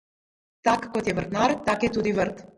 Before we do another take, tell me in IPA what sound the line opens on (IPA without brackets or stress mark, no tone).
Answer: t̪